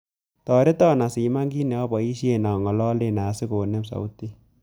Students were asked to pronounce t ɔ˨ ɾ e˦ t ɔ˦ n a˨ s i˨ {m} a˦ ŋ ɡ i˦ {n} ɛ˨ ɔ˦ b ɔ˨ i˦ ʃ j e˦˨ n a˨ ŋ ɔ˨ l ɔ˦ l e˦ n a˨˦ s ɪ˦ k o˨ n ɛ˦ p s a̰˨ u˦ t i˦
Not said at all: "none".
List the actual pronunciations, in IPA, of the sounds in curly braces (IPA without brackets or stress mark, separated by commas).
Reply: m, n